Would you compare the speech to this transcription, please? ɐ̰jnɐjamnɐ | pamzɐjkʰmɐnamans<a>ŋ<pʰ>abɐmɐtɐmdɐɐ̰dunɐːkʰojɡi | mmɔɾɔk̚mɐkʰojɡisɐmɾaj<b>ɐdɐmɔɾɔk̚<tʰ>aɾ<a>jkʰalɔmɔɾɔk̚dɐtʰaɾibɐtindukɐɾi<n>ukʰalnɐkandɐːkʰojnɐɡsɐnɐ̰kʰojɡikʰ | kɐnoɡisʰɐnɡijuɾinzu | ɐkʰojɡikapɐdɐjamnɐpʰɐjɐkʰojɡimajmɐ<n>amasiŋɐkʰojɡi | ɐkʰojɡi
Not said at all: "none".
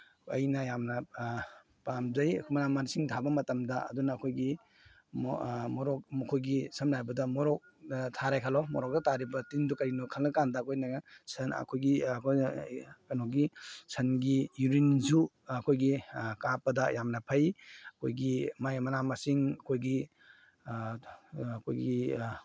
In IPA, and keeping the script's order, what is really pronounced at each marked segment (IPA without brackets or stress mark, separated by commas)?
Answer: i, tʰ, b, tʰ, a, n, n